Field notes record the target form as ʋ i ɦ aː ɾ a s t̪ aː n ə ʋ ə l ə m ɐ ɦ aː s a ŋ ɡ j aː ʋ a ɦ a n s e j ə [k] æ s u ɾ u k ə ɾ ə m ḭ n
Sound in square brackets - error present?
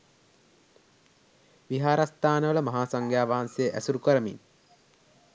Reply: yes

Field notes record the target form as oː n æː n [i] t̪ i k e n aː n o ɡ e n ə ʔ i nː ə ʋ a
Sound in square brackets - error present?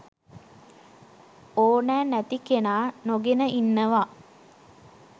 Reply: yes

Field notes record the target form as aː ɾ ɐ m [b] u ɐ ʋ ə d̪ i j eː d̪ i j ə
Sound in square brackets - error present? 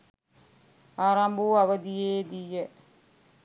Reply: no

